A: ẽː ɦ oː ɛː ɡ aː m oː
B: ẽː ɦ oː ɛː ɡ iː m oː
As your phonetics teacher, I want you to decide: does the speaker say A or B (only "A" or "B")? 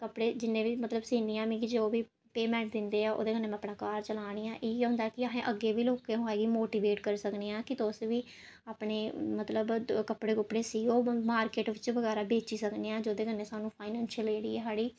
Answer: B